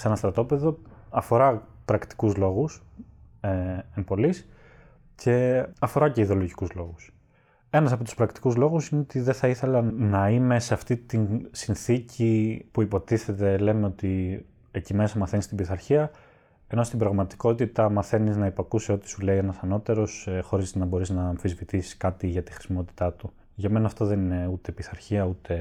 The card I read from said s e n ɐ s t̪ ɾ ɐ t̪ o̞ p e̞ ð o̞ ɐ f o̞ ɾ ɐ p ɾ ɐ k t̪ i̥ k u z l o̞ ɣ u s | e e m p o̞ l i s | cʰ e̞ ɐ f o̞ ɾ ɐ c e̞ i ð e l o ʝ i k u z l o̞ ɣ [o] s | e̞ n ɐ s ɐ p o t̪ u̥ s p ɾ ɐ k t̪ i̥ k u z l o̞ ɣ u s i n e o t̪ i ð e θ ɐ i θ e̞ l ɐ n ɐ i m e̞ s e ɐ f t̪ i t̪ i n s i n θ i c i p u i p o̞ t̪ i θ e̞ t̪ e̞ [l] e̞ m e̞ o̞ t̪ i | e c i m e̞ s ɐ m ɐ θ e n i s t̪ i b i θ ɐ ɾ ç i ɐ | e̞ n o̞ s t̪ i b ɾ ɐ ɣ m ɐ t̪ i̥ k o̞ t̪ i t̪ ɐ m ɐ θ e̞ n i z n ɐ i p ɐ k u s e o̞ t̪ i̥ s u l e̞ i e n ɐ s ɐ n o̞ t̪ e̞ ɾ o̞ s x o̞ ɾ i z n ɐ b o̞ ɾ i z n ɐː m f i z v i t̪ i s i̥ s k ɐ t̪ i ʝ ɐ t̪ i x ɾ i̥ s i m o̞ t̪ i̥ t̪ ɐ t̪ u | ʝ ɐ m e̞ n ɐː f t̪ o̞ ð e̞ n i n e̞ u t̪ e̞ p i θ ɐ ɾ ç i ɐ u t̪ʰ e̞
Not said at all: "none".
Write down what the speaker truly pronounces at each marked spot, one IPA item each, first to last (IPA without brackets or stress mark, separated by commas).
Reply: u, l